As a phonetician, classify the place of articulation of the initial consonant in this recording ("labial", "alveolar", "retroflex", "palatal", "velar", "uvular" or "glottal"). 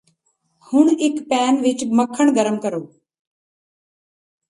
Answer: glottal